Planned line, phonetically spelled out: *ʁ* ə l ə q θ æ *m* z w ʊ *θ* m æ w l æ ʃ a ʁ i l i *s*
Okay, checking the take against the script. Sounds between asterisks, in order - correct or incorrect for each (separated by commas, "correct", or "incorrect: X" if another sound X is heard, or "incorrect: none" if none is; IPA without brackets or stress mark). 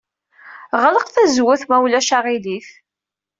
correct, incorrect: none, correct, incorrect: θ